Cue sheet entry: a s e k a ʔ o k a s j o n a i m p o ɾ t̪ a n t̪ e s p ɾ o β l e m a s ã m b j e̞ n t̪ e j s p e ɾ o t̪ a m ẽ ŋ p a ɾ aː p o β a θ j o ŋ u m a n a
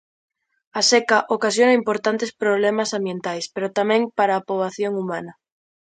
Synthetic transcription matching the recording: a s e k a ʔ o k a s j o n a i m p o ɾ t̪ a n t̪ e s p ɾ o β l e m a s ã m b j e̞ n t̪ a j s p e ɾ o t̪ a m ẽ ŋ p a ɾ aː p o β a θ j o ŋ u m a n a